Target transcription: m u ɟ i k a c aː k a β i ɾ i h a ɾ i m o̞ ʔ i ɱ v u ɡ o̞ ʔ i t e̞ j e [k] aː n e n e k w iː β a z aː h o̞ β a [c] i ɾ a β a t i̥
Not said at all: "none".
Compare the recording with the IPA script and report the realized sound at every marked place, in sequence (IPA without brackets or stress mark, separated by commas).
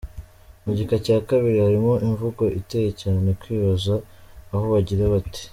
c, ɟ